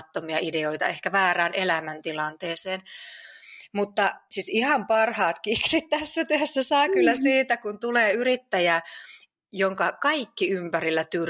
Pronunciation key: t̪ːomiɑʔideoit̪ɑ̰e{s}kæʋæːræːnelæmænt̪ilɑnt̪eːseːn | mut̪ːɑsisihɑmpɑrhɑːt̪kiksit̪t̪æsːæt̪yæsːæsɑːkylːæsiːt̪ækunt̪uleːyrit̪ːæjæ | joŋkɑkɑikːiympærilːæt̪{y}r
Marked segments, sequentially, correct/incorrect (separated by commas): incorrect, correct